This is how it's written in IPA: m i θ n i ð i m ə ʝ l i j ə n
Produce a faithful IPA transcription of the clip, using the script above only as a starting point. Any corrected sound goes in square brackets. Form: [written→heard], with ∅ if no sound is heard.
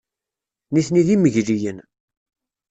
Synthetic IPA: [m→n] i θ n i ð i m ə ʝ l i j ə n